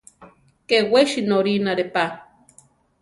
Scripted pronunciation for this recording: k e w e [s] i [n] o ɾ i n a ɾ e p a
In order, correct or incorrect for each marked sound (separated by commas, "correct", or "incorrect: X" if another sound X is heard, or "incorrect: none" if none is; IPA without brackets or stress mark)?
incorrect: ʃ, correct